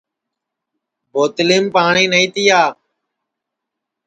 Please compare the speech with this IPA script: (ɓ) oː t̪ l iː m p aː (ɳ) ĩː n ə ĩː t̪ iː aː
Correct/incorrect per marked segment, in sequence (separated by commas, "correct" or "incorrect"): incorrect, correct